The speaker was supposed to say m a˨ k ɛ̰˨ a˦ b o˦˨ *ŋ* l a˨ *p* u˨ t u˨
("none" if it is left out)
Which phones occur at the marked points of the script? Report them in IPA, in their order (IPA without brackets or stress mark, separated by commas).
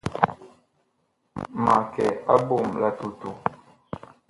m, t